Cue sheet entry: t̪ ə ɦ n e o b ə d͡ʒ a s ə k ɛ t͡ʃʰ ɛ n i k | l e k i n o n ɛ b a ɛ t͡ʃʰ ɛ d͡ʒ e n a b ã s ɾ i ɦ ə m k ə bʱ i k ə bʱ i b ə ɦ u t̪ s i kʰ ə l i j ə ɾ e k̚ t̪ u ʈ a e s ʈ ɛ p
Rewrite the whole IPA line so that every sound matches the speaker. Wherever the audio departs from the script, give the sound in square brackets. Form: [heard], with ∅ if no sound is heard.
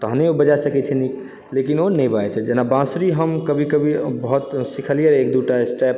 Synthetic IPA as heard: t̪ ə ɦ n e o b ə d͡ʒ a s ə k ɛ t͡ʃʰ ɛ n i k | l e k i n o n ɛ b a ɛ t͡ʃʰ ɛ d͡ʒ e n a b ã s ɾ i ɦ ə m k ə bʱ i k ə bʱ i b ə ɦ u t̪ s i kʰ ə l i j ə ɾ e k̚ [d̪] u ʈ a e s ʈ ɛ p